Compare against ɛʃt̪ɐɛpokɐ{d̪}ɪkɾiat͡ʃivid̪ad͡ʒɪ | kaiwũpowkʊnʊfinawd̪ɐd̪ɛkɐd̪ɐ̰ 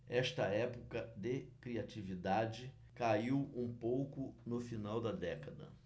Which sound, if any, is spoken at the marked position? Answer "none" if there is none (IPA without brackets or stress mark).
d̪